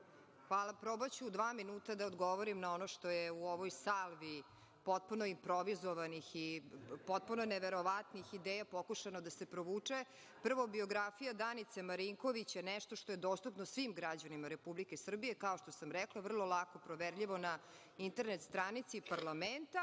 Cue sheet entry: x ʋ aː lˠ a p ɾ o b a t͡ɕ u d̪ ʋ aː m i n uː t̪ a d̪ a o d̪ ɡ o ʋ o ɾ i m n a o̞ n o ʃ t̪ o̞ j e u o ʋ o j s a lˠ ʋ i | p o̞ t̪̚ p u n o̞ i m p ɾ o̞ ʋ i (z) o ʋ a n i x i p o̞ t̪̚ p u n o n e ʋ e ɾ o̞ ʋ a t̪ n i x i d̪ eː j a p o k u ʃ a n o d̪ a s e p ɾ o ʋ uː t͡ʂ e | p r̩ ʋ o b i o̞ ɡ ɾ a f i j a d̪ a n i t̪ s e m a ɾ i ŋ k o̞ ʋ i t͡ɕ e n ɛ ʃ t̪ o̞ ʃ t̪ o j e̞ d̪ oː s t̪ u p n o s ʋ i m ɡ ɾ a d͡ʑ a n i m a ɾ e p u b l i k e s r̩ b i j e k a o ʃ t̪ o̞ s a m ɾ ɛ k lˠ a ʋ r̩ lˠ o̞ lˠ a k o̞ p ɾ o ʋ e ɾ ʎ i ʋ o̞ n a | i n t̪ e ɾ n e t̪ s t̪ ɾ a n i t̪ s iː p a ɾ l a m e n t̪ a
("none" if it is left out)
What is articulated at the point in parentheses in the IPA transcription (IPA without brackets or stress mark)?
z